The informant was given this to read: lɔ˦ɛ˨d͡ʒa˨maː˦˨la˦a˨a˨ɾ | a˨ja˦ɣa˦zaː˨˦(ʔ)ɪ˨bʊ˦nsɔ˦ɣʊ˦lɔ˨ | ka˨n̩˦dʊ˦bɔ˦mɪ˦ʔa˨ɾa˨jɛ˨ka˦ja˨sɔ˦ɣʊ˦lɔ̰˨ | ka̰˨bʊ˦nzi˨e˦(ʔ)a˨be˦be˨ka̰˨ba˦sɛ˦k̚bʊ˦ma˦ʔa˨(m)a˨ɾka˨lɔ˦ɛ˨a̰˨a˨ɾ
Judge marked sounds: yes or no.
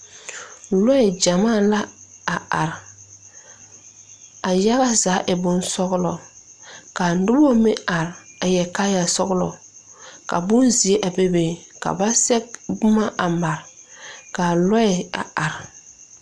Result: yes, yes, yes

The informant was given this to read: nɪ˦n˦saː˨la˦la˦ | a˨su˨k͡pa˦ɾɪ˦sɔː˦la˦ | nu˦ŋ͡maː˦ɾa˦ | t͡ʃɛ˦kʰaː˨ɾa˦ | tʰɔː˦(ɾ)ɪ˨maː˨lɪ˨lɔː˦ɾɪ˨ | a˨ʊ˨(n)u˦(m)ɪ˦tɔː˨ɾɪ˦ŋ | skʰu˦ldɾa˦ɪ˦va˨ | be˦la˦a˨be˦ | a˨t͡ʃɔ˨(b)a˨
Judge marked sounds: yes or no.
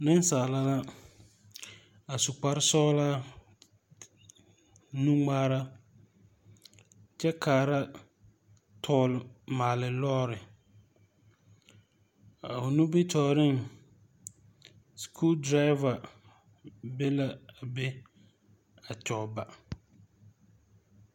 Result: no, yes, no, yes

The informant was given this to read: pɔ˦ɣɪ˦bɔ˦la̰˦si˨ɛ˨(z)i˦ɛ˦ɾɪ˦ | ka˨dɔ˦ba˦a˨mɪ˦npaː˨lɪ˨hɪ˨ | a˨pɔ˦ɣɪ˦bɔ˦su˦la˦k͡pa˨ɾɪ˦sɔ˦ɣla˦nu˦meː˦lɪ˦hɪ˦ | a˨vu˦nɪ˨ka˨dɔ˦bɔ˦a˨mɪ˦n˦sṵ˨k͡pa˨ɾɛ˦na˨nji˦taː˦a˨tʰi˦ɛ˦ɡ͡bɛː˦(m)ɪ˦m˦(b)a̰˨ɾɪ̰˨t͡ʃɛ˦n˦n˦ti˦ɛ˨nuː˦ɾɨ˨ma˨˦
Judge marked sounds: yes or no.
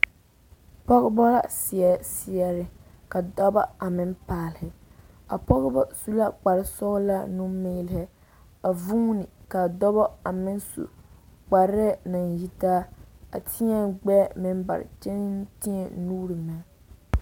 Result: no, yes, yes

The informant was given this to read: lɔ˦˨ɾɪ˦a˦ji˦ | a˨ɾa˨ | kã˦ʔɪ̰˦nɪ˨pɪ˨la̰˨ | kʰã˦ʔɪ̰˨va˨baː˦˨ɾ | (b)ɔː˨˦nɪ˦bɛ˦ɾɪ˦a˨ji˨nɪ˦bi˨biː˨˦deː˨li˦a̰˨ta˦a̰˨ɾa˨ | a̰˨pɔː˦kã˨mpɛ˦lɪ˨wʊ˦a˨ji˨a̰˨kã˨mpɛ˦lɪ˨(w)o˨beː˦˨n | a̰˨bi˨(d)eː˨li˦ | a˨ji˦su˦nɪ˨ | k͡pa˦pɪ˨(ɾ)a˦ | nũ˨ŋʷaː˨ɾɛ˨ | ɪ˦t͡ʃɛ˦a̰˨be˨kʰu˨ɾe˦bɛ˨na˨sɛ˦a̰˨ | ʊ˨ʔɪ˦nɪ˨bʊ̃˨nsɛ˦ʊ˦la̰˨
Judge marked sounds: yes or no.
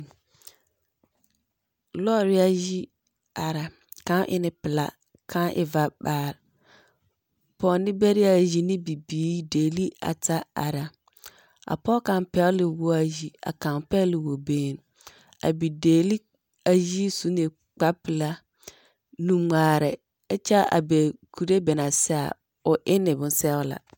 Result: no, yes, yes, no

